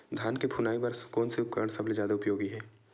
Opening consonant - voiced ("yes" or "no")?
yes